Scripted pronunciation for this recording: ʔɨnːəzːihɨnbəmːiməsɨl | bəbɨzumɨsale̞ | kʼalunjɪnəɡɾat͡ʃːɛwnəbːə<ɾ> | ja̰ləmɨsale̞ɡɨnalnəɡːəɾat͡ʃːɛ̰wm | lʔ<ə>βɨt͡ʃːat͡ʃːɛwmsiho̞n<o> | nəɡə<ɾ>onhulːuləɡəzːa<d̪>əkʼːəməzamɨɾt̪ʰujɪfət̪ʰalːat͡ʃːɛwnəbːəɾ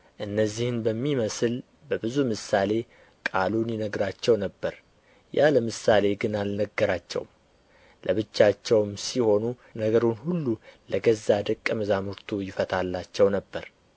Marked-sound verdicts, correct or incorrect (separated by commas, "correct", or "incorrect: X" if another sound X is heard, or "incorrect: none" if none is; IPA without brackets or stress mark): correct, correct, incorrect: u, correct, correct